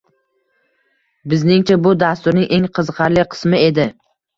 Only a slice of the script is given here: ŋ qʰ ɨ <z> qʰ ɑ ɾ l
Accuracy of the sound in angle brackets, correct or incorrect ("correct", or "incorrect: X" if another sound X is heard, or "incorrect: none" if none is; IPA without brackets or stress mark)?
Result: correct